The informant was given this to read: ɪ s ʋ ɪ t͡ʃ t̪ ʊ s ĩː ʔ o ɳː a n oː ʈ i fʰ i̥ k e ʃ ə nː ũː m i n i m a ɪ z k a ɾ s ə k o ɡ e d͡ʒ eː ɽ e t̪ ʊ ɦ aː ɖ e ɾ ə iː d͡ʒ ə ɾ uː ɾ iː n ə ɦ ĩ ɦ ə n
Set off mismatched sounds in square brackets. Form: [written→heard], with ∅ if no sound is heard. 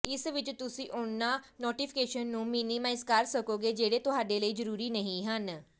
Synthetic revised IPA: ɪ s ʋ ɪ t͡ʃ t̪ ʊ s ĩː ʔ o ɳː a n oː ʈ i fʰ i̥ k e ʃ ə nː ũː m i n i m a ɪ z k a ɾ s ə k o ɡ e d͡ʒ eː ɽ e t̪ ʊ ɦ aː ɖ e [ɾ→l] ə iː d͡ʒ ə ɾ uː ɾ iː n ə ɦ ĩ ɦ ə n

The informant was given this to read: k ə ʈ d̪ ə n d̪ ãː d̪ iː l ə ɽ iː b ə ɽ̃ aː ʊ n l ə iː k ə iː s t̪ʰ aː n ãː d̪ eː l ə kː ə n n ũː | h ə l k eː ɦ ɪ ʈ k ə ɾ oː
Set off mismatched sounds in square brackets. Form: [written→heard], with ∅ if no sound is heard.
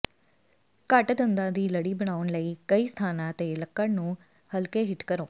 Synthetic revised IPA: k ə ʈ d̪ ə n d̪ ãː d̪ iː l ə ɽ iː b ə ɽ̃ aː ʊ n l ə iː k ə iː s t̪ʰ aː n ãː [d̪→t̪] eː l ə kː ə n n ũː | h ə l k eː ɦ ɪ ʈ k ə ɾ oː

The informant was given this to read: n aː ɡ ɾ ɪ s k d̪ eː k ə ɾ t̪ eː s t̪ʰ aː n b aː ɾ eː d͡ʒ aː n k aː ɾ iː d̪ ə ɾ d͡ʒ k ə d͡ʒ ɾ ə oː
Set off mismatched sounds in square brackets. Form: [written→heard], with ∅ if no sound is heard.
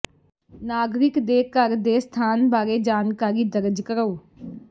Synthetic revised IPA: n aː ɡ ɾ ɪ [s→∅] k d̪ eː k ə ɾ [t̪→d̪] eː s t̪ʰ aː n b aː ɾ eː d͡ʒ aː n k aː ɾ iː d̪ ə ɾ d͡ʒ k ə [d͡ʒ→∅] ɾ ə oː

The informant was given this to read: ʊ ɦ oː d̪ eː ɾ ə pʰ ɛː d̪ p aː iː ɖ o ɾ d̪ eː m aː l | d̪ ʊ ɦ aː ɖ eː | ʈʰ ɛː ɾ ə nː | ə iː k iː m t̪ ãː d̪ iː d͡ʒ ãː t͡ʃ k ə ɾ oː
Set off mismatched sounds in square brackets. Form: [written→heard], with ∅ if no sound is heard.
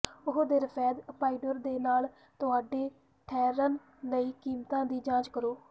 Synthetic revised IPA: ʊ ɦ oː d̪ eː ɾ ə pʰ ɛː d̪ p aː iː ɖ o ɾ d̪ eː [m→n] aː l | [d̪→t̪] ʊ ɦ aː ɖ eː | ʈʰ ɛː ɾ ə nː | ə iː k iː m t̪ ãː d̪ iː d͡ʒ ãː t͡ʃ k ə ɾ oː

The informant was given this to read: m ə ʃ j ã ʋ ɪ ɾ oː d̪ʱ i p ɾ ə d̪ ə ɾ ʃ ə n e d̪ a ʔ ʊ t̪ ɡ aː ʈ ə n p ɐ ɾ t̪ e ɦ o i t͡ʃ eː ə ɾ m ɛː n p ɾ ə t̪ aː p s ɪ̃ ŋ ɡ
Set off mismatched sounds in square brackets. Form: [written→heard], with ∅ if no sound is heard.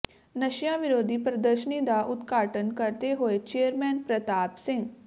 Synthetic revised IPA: [m→n] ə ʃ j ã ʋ ɪ ɾ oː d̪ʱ i p ɾ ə d̪ ə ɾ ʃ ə n [e→i] d̪ a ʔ ʊ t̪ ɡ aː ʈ ə n [p→k] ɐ ɾ t̪ e ɦ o [i→e] t͡ʃ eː ə ɾ m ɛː n p ɾ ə t̪ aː p s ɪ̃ ŋ ɡ

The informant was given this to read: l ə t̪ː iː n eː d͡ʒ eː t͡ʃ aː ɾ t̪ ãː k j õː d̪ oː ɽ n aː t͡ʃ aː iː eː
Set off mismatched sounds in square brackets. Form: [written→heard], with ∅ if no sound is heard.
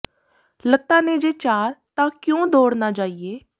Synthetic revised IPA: l ə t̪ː [iː→aː] n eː d͡ʒ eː t͡ʃ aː ɾ t̪ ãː k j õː d̪ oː ɽ n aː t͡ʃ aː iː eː

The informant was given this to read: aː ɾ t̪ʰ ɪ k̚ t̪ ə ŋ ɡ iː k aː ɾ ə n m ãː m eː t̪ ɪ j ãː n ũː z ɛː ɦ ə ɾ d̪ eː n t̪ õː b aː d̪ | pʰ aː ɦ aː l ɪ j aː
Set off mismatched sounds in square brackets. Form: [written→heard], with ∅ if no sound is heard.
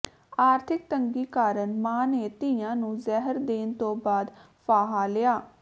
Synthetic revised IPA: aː ɾ t̪ʰ ɪ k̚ t̪ ə ŋ ɡ iː k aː ɾ ə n m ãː [m→n] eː t̪ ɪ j ãː n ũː z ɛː ɦ ə ɾ d̪ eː n t̪ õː b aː d̪ | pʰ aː ɦ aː l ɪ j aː

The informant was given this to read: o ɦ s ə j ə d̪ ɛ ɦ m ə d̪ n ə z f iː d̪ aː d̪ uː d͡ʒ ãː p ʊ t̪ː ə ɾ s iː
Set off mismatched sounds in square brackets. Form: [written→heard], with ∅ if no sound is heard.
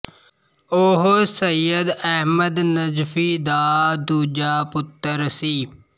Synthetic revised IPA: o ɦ s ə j ə d̪ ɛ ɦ m ə d̪ n ə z f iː d̪ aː d̪ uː d͡ʒ [ãː→aː] p ʊ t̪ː ə ɾ s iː

